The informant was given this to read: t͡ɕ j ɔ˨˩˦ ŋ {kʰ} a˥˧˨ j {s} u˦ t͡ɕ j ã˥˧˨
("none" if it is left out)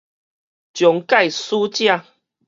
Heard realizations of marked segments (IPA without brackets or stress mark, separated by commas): k, s